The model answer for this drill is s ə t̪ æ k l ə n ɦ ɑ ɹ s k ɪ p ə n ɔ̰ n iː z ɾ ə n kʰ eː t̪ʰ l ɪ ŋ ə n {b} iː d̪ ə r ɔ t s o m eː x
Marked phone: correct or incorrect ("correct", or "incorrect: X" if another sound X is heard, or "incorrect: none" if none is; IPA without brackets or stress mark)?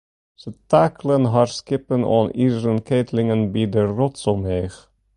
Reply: correct